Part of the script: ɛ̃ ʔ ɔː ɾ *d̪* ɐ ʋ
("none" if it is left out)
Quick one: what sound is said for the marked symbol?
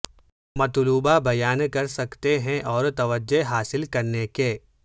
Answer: t̪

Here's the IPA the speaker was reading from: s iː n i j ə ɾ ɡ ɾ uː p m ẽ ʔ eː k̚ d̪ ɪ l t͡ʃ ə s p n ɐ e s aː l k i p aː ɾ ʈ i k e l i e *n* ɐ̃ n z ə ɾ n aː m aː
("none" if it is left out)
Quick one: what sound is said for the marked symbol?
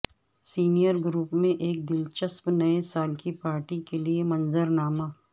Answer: m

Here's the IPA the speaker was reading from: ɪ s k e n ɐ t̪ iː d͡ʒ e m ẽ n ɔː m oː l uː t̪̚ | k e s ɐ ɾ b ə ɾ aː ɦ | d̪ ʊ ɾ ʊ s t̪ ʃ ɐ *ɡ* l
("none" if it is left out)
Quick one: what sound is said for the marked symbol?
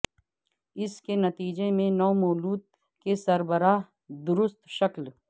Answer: k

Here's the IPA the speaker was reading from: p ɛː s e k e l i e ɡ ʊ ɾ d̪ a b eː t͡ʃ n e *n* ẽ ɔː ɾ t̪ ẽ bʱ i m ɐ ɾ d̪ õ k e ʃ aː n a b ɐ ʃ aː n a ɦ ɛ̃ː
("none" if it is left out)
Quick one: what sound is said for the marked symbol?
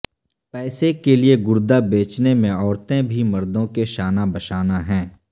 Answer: m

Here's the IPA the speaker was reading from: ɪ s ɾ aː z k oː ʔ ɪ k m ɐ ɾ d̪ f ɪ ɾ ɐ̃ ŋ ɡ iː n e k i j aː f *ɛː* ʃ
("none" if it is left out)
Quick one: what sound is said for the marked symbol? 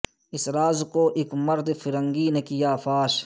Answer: aː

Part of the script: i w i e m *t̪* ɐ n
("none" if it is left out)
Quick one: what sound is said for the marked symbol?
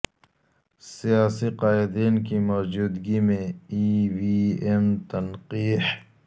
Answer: t̪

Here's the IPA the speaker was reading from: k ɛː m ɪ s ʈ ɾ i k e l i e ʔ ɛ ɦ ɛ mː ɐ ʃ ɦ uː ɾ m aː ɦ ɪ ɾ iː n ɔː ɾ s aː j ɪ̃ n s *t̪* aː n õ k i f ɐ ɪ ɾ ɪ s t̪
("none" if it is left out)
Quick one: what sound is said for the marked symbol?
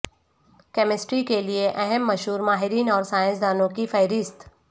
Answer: d̪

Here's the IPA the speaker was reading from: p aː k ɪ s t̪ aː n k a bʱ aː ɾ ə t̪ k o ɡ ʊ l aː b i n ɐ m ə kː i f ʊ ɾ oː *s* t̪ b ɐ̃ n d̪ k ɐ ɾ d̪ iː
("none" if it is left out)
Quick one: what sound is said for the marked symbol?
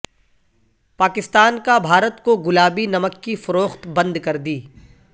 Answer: x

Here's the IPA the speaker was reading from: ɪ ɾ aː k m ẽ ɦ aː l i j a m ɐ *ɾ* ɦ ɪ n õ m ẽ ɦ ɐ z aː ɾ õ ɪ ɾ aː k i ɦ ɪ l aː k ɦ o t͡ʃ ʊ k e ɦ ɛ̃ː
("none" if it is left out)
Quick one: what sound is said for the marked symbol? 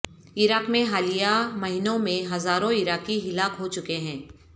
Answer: none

